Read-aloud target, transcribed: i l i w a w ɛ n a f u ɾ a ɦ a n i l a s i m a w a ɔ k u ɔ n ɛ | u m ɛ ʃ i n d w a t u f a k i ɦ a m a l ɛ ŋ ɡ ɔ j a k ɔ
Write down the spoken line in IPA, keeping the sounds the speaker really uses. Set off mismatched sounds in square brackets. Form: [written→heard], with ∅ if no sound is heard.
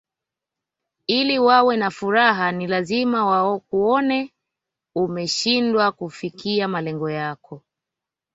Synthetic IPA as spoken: i l i w a w ɛ n a f u ɾ a ɦ a n i l a [s→z] i m a w a ɔ k u ɔ n ɛ | u m ɛ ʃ i n d w a [t→k] u f [a→i] k i [ɦ→∅] a m a l ɛ ŋ ɡ ɔ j a k ɔ